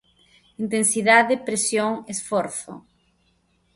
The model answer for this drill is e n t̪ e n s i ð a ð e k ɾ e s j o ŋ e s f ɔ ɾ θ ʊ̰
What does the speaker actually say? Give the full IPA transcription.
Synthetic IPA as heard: i n t̪ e n s i ð a ð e p ɾ e s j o ŋ e s f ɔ ɾ θ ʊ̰